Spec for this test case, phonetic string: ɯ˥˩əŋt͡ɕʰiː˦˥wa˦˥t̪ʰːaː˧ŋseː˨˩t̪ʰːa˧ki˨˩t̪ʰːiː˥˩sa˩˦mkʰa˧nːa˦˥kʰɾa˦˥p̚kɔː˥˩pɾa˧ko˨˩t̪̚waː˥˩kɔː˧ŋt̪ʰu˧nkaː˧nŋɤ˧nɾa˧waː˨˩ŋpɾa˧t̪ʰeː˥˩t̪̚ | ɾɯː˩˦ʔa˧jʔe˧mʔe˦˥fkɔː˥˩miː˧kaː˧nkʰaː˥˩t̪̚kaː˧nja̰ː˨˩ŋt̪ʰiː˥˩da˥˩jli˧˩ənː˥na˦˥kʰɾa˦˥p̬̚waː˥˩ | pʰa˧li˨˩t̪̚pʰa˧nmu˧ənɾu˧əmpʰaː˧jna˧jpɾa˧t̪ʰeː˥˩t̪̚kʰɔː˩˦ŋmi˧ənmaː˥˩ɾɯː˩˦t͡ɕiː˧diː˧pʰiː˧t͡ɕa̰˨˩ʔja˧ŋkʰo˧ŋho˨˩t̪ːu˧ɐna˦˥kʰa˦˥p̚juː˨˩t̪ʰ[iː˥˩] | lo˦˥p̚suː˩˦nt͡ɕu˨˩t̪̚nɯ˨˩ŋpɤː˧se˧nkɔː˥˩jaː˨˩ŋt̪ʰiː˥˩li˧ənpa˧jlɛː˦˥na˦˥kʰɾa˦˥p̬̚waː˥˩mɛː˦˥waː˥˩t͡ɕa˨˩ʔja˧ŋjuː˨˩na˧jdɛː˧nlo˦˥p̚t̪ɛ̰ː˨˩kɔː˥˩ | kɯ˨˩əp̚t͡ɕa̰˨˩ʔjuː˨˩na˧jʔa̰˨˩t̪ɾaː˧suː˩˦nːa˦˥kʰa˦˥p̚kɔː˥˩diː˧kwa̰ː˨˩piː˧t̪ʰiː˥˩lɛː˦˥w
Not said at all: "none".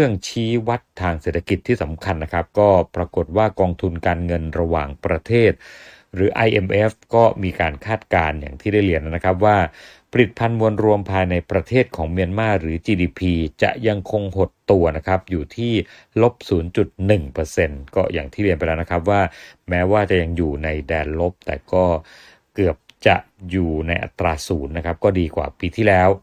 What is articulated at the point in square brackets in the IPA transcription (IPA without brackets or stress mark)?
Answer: iː˥˩